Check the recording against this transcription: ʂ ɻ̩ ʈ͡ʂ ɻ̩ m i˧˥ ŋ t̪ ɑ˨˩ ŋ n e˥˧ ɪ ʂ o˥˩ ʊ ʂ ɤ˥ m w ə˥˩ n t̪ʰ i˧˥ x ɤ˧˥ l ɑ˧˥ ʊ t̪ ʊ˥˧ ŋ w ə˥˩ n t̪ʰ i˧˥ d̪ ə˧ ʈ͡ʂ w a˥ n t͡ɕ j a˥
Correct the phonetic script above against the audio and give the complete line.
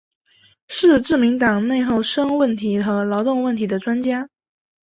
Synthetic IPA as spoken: ʂ ɻ̩ ʈ͡ʂ ɻ̩ m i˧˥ ŋ t̪ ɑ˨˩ ŋ n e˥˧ ɪ x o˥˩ ʊ ʂ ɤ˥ ŋ w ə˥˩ n t̪ʰ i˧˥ x ɤ˧˥ l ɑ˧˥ ʊ t̪ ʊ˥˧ ŋ w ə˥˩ n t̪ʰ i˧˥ d̪ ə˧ ʈ͡ʂ w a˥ n t͡ɕ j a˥